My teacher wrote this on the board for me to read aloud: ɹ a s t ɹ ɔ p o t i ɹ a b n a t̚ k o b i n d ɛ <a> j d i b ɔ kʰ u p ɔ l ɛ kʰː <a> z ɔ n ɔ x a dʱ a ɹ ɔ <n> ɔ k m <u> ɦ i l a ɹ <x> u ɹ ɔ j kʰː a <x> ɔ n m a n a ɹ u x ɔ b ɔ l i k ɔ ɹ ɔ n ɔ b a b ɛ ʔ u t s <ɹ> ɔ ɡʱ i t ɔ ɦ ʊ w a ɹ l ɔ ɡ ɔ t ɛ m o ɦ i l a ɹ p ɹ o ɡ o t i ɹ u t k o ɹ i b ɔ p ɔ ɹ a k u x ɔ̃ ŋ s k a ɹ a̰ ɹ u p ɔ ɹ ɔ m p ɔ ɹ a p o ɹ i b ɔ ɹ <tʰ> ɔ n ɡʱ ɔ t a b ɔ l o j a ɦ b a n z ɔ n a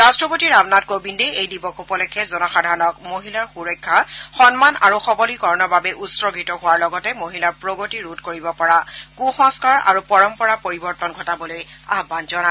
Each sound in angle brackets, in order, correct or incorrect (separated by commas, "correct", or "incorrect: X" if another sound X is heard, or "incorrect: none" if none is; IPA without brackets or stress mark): incorrect: e, incorrect: ɛ, correct, incorrect: o, correct, correct, correct, incorrect: t